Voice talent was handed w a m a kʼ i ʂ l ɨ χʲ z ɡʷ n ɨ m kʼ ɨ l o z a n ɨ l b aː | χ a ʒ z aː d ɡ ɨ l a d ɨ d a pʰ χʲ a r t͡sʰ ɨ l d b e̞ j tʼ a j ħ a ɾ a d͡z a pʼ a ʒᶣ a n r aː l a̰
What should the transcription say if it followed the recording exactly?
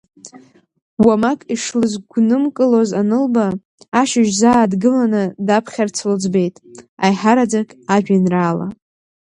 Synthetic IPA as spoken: w a m a kʼ i ʂ l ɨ z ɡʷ n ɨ m kʼ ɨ l o z a n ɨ l b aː | ʃ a ʒ z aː d ɡ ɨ l a n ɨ d a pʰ χʲ a r t͡sʰ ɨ l d͡z b e̞ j tʼ a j ħ a ɾ a d͡z a kʼ a ʒᶣ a n r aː l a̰